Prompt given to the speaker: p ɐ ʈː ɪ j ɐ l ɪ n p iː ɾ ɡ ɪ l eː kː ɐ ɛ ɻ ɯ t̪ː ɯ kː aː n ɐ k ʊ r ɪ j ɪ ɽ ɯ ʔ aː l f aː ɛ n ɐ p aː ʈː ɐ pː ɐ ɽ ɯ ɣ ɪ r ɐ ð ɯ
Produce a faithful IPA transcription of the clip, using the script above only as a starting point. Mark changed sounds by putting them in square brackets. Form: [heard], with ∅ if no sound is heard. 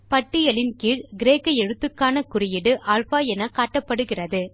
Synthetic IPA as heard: p ɐ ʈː ɪ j ɐ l ɪ n [k] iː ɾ ɡ ɪ [ɾ] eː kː ɐ ɛ ɻ ɯ t̪ː ɯ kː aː n ɐ k ʊ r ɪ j ɪ ɽ ɯ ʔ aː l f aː ɛ n ɐ [k] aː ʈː ɐ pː ɐ ɽ ɯ ɣ ɪ r ɐ ð ɯ